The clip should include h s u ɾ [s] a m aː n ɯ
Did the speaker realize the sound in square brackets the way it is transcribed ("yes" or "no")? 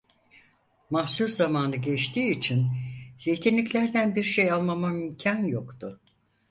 no